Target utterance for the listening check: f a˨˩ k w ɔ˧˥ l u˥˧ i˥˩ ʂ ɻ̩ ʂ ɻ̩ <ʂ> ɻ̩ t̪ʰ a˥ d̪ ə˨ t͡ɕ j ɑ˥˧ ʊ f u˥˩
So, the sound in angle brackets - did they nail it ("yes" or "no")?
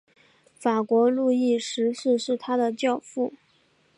yes